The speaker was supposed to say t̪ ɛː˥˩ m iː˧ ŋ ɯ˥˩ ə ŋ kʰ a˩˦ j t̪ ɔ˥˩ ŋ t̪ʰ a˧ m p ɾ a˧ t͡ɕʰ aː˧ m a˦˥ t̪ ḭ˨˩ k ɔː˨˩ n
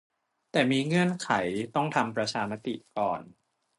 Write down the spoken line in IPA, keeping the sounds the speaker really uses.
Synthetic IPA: t̪ ɛː˨˩ m iː˧ ŋ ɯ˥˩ ə n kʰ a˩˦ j t̪ ɔ˥˩ ŋ t̪ʰ a˧ m p ɾ a˧ t͡ɕʰ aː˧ m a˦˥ t̪ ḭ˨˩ k ɔː˨˩ n